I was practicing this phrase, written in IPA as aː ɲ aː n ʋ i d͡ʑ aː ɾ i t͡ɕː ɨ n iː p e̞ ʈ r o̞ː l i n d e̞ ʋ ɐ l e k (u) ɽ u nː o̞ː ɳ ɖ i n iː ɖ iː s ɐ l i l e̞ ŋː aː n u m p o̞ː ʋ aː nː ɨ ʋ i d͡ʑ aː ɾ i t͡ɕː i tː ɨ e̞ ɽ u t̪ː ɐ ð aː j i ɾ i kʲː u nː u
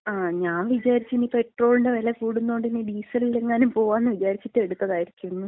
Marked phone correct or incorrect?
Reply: incorrect